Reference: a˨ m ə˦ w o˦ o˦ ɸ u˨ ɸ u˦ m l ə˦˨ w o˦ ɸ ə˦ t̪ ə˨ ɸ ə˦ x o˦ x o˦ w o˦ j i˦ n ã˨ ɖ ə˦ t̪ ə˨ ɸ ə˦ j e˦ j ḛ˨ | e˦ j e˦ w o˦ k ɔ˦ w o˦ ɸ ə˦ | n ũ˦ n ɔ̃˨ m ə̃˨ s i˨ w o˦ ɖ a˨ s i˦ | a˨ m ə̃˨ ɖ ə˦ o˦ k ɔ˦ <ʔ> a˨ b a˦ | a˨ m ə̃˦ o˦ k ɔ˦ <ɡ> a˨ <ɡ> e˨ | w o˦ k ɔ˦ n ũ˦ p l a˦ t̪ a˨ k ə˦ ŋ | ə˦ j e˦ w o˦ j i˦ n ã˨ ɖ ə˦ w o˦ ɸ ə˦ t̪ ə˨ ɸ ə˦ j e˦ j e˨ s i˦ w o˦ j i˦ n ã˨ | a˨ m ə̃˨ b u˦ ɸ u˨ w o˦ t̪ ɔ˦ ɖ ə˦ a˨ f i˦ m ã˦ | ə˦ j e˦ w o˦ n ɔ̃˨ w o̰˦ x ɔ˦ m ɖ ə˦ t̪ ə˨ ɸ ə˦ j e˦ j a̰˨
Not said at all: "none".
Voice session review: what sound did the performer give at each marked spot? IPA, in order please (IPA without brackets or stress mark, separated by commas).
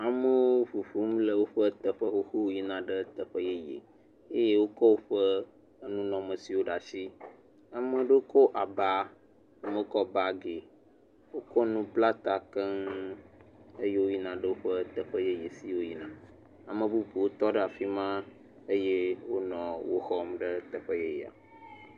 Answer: ʔ, b, ɡ